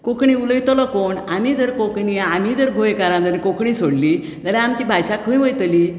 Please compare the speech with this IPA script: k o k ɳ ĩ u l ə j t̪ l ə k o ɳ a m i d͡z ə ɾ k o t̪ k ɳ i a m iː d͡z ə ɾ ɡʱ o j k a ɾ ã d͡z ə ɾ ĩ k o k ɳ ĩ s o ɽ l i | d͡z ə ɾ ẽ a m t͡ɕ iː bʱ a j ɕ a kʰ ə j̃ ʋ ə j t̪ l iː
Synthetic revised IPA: k o k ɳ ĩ u l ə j t̪ l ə k o ɳ a m i d͡z ə ɾ k o k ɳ i a m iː d͡z ə ɾ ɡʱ o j k a ɾ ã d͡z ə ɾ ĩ k o k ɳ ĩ s o ɽ l i | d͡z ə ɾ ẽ a m t͡ɕ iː bʱ a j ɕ a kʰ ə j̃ ʋ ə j t̪ l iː